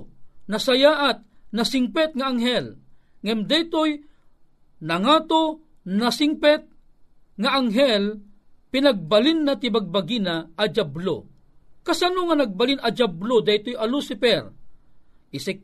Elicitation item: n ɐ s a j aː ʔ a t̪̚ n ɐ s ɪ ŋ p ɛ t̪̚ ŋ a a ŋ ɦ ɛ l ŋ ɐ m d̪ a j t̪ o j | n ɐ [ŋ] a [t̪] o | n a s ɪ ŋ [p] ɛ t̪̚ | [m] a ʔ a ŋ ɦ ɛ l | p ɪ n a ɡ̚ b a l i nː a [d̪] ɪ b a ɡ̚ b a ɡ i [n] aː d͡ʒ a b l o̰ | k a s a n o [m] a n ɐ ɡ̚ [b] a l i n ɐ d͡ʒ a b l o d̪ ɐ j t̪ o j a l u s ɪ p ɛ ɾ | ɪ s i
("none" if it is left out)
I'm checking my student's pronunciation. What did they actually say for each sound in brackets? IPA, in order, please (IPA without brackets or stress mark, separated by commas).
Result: ŋ, t̪, p, ŋ, t̪, n, ŋ, b